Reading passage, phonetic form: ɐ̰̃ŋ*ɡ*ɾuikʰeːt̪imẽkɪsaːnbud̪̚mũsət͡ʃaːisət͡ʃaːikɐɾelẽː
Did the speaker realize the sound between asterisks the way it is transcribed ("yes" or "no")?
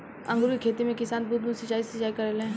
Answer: yes